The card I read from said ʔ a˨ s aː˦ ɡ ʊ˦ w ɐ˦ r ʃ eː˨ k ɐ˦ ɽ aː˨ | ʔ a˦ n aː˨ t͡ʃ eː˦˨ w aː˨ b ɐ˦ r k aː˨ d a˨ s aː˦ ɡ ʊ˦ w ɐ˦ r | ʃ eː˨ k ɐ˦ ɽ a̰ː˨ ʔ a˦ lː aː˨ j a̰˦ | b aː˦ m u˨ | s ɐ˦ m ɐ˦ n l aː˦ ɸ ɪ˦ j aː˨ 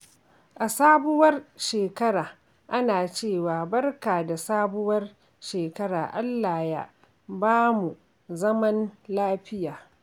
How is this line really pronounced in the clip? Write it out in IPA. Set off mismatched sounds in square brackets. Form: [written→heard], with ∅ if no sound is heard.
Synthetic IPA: ʔ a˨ s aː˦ [ɡ→b] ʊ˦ w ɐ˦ r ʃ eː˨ k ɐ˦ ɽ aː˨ | ʔ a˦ n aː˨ t͡ʃ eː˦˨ w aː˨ b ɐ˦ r k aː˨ d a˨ s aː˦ [ɡ→b] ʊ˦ w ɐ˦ r | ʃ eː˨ k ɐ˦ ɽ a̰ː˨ ʔ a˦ lː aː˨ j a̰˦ | b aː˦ m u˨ | [s→z] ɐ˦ m ɐ˦ n l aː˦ ɸ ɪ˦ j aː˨